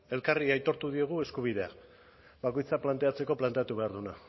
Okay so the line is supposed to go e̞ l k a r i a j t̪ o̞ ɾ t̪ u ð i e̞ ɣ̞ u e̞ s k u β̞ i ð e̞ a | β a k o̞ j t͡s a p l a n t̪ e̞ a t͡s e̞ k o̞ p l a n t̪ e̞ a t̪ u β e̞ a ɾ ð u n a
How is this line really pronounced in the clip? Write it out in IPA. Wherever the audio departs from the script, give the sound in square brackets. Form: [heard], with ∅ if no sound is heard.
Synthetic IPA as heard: e̞ l k a r i a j t̪ o̞ ɾ t̪ u ð i e̞ ɣ̞ u e̞ s k u β̞ i ð e̞ a | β a k o̞ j t͡s a p l a n t̪ e̞ a t͡s e̞ k o̞ p l a n t̪ e̞ a t̪ u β e̞ a ɾ ð u n a